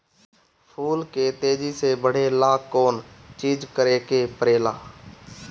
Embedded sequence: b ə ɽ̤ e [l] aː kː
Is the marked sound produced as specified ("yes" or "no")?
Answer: yes